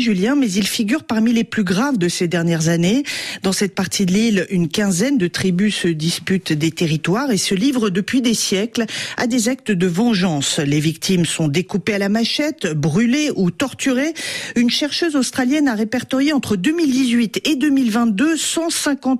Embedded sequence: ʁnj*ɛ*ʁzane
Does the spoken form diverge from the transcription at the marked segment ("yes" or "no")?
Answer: no